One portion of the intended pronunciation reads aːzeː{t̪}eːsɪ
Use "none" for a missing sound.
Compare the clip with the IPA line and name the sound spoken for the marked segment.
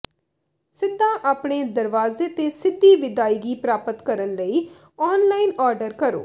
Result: t̪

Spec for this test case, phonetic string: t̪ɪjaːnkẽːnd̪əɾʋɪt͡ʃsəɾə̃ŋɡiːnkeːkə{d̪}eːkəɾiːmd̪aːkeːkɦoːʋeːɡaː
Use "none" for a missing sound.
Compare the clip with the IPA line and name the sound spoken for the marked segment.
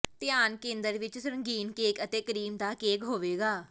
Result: t̪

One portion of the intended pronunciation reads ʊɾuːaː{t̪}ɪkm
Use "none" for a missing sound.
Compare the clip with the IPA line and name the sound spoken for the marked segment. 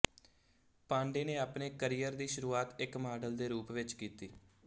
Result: t̪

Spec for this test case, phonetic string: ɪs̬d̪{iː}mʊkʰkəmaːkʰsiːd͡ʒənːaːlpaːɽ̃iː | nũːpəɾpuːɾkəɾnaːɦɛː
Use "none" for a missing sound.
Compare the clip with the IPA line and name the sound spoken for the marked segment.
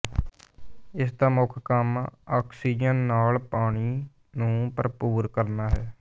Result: aː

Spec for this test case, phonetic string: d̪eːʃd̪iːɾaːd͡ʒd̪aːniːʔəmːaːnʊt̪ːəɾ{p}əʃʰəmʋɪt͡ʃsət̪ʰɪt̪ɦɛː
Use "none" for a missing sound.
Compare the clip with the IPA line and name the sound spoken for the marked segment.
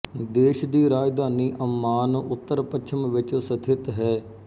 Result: p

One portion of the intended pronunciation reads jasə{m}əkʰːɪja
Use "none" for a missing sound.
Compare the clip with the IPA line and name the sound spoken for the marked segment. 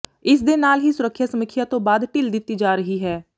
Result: m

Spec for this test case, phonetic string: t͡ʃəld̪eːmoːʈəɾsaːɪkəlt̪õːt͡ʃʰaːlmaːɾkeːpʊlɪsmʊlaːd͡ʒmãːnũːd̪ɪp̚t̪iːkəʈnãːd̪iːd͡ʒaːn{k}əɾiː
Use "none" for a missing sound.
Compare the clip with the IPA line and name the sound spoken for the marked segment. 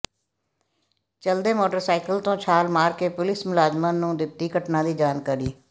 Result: k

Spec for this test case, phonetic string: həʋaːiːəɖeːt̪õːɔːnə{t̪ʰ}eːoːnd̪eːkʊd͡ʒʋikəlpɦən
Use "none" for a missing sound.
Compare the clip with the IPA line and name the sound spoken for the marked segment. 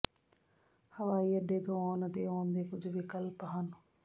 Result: t̪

